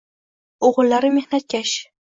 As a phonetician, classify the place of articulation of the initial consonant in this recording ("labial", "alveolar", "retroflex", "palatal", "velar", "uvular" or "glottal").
uvular